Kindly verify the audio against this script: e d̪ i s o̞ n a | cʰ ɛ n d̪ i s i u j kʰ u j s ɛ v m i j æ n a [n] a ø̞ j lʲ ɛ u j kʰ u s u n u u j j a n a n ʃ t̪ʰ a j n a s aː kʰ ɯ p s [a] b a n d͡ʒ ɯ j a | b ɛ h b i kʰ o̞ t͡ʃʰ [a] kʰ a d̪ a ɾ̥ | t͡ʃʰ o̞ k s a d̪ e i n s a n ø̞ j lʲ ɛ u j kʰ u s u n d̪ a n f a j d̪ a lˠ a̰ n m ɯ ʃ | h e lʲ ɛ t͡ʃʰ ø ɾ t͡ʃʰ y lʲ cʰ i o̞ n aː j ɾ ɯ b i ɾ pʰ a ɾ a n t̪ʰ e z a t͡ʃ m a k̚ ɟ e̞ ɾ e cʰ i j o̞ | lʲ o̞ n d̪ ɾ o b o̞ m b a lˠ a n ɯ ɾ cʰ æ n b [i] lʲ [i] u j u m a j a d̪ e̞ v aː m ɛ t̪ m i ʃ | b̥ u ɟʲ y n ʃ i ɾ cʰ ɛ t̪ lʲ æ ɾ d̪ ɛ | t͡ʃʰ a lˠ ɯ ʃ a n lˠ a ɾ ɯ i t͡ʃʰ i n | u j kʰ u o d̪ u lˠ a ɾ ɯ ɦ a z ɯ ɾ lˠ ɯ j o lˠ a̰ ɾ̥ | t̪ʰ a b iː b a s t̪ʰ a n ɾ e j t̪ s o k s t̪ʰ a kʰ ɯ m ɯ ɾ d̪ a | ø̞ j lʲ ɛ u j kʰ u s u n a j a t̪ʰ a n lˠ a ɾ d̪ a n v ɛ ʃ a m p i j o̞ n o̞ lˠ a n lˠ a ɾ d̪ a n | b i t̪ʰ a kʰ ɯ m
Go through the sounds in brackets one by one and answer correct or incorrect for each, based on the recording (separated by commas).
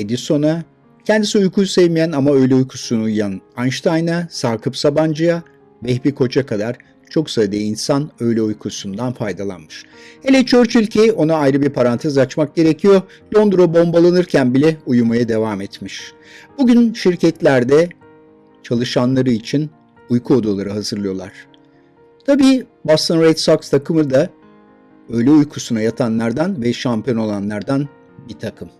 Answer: incorrect, correct, correct, correct, incorrect